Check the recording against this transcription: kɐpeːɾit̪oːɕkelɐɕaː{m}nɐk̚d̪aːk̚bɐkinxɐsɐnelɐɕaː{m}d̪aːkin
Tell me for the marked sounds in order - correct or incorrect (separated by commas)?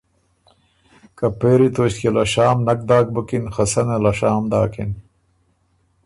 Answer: correct, correct